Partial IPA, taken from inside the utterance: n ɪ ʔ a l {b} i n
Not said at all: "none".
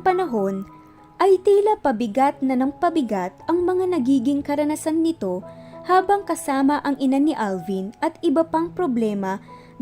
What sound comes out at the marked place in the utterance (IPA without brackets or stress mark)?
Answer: v